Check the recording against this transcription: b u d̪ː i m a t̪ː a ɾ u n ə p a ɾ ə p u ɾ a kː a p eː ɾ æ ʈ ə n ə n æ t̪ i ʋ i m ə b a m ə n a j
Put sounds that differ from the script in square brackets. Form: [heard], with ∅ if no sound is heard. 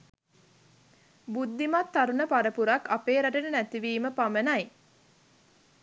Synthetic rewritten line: b u d̪ː i m a t̪ː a ɾ u n ə p a ɾ ə p u ɾ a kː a p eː ɾ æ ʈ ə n ə n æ t̪ i ʋ [iː] m ə [p] a m ə n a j